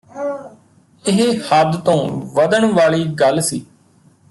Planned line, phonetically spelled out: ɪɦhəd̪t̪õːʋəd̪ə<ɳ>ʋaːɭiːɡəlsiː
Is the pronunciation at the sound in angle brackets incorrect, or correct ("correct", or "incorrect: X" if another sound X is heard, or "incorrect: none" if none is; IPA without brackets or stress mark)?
correct